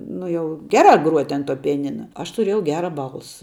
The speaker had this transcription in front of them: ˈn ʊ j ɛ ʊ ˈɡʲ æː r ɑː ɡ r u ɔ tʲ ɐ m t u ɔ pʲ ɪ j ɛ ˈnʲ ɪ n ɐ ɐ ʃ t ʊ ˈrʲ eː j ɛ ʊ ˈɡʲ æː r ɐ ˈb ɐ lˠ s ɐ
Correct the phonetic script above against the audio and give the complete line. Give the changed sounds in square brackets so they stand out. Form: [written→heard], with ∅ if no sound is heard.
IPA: ˈn ʊ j ɛ ʊ ˈɡʲ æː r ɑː ɡ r u ɔ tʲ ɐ [m→n] t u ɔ pʲ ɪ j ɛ ˈnʲ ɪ n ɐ ɐ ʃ t ʊ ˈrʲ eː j ɛ ʊ ˈɡʲ æː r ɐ ˈb ɐ lˠ s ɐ